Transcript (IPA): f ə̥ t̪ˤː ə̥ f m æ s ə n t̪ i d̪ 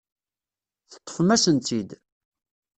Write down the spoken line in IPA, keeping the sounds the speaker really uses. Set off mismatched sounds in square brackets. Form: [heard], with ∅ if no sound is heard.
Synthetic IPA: [θ] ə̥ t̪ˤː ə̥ f m æ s ə n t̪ i d̪